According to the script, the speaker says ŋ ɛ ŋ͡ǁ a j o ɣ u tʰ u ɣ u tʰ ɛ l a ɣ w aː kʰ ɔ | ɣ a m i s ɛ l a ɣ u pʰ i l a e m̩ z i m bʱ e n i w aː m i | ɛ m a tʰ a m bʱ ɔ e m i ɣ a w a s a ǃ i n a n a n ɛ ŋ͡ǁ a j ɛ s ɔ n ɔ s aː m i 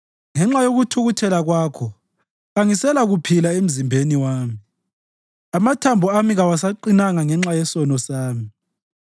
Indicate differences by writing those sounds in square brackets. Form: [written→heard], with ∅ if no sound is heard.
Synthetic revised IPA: ŋ ɛ ŋ͡ǁ a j o ɣ u tʰ u ɣ u tʰ ɛ l a ɣ w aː kʰ ɔ | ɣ a [m→ŋ] i s ɛ l a ɣ u pʰ i l a e m̩ z i m bʱ e n i w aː m i | [ɛ→a] m a tʰ a m bʱ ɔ [e→a] m i ɣ a w a s a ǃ i n a [n→ŋ] a [n→ŋ] ɛ ŋ͡ǁ a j ɛ s ɔ n ɔ s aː m i